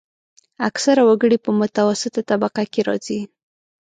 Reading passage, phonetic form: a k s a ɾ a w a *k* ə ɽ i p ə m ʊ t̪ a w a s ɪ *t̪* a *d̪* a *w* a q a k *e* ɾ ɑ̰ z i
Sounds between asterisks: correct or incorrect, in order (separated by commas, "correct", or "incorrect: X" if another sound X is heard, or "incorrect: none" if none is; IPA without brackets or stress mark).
incorrect: ɡ, correct, incorrect: t̪, incorrect: b, correct